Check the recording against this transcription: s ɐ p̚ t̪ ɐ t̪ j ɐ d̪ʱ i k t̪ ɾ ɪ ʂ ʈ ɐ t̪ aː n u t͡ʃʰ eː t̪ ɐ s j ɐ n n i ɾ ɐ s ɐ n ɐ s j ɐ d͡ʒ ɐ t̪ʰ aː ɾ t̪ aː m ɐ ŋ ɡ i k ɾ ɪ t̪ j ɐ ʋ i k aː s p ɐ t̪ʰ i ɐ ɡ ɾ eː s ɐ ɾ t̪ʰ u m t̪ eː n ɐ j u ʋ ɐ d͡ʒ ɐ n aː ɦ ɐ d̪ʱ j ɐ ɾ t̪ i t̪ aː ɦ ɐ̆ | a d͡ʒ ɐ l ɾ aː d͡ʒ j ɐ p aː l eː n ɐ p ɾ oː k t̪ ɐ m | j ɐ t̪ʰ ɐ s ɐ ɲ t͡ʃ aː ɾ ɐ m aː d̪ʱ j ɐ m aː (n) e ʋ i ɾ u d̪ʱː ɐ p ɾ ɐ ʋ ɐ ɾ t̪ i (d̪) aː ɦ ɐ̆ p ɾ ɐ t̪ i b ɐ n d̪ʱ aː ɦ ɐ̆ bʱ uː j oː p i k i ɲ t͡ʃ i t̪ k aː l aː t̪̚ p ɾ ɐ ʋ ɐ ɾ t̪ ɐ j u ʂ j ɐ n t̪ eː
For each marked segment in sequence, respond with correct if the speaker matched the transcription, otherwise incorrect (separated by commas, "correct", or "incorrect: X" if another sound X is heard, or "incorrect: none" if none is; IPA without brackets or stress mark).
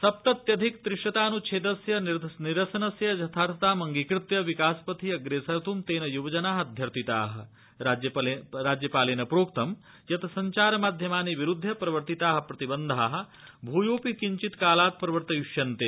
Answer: correct, incorrect: t̪